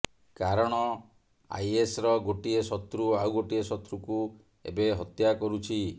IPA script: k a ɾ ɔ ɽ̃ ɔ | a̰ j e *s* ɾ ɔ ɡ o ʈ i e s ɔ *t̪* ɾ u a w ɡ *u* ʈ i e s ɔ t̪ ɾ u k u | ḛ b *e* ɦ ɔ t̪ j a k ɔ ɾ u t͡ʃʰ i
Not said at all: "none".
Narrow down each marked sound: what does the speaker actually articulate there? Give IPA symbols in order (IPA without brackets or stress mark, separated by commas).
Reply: s, t̪, o, e